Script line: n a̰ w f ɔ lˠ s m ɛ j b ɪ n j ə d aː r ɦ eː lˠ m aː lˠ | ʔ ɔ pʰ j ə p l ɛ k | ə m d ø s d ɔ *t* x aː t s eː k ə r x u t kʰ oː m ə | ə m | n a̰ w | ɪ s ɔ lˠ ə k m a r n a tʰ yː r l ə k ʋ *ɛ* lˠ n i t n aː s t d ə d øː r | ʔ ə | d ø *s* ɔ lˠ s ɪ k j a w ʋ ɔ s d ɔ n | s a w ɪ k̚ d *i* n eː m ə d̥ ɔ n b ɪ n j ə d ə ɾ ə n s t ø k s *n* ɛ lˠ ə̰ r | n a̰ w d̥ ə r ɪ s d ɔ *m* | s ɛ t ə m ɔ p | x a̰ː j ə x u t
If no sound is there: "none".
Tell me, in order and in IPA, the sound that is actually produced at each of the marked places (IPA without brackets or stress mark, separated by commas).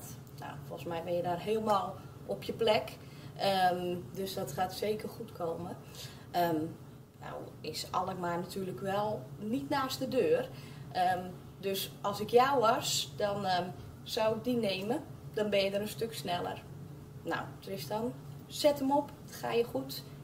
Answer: t, ɛ, s, i, n, n